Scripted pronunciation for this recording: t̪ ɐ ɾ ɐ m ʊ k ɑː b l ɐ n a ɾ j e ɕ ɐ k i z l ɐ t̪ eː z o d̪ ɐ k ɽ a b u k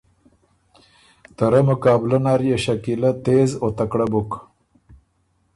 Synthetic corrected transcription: t̪ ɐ ɾ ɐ m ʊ k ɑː b l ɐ n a ɾ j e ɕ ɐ k i l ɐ t̪ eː z o t̪ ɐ k ɽ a b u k